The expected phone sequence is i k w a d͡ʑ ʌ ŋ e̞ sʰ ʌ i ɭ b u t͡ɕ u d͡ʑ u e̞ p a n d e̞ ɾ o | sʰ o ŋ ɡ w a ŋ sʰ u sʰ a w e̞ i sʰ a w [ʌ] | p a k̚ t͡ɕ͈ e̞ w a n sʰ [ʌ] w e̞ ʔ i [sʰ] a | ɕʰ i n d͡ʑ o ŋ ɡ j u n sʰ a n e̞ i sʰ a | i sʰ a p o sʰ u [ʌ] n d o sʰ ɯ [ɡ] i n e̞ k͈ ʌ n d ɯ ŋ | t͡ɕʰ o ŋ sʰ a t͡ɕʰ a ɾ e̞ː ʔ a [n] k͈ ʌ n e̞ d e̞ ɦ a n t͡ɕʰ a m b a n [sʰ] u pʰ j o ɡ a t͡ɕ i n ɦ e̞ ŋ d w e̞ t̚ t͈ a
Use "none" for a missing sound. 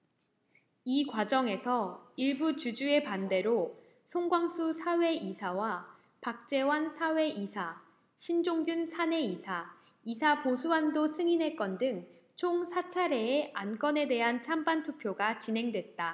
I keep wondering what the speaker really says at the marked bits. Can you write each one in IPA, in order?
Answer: a, a, sʰ, a, ŋ, n, tʰ

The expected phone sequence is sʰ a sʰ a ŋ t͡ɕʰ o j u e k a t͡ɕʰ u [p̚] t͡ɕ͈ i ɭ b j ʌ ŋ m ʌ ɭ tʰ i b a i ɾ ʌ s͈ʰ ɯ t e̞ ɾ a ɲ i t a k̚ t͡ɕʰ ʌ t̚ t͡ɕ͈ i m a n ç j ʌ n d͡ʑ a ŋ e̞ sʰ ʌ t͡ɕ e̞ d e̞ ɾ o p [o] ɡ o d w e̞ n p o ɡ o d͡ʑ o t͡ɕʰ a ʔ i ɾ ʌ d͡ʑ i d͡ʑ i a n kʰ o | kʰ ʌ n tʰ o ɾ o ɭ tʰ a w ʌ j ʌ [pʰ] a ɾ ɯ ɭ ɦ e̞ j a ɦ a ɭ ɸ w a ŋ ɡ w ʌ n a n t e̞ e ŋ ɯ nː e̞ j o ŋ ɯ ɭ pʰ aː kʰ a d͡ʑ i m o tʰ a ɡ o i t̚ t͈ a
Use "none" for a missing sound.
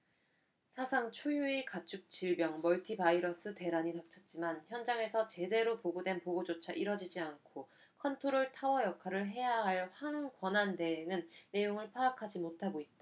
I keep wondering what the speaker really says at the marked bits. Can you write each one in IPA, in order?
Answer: k̚, o, kʰ

